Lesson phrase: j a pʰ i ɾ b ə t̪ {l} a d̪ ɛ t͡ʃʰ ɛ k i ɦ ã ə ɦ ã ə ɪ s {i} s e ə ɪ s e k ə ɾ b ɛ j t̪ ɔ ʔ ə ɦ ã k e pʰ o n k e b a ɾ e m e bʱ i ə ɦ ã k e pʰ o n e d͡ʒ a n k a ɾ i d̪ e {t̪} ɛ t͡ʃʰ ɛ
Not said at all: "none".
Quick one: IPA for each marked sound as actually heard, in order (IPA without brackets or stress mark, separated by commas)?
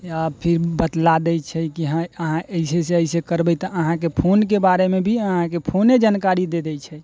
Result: l, e, d̪